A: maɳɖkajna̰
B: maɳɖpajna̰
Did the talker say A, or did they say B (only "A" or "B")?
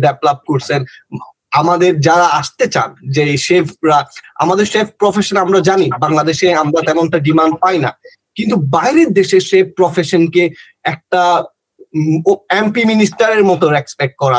B